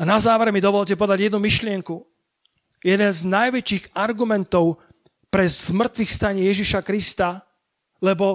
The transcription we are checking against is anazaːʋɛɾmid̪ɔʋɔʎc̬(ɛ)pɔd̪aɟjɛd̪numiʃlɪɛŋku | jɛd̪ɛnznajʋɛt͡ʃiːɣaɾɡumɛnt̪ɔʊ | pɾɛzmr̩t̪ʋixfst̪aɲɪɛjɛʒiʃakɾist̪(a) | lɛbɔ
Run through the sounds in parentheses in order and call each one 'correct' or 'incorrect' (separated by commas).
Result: correct, correct